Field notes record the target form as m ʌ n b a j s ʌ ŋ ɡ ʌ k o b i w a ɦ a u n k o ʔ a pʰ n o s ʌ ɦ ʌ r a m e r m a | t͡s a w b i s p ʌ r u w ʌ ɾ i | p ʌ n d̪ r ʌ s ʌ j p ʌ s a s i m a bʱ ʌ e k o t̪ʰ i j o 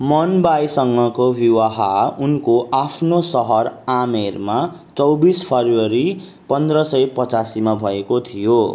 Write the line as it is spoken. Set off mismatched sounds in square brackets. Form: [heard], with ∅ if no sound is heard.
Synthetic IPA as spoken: m ʌ n b a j s ʌ ŋ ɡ ʌ k o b i w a ɦ a u n k o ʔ a pʰ n o s ʌ ɦ ʌ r a m e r m a | t͡s [ʌ] w b i s [pʰ] ʌ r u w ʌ ɾ i | p ʌ n d̪ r ʌ s ʌ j p ʌ [t͡s] a s i m a bʱ ʌ e k o t̪ʰ i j o